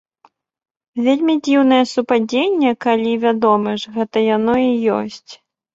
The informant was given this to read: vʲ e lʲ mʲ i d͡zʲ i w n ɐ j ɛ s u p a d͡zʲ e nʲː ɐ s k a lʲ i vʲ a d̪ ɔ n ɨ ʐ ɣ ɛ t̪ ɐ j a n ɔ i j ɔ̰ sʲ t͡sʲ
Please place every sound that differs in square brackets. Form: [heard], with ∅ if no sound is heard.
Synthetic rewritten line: vʲ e lʲ mʲ i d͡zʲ i w n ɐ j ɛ s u p a d͡zʲ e nʲː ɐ [∅] k a lʲ i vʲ a d̪ ɔ [m] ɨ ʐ ɣ ɛ t̪ ɐ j a n ɔ i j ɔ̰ sʲ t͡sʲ